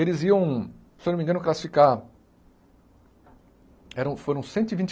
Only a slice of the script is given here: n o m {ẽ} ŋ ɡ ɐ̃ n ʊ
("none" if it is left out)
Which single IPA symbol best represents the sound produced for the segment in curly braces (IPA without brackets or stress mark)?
ĩ